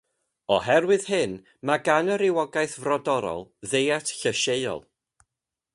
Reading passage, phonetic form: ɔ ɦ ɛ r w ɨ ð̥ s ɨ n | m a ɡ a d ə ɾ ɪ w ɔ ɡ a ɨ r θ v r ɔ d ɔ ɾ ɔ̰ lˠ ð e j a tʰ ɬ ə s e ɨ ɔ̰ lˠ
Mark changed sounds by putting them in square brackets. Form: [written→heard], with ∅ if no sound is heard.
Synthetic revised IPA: ɔ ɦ ɛ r w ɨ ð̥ [s→h] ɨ n | m a ɡ a [d→n] ə ɾ ɪ w ɔ ɡ a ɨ [r→∅] θ v r ɔ d ɔ ɾ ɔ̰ lˠ ð e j a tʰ ɬ ə [s→ʃ] e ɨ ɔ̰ lˠ